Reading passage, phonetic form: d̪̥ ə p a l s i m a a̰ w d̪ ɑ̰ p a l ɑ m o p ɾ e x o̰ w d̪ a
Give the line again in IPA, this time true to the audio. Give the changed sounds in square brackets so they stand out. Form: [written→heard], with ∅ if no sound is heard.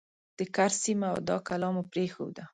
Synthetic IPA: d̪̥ ə [p→k] a [l→ɾ] s i m a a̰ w d̪ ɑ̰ [p→k] a l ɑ m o p ɾ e x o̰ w d̪ a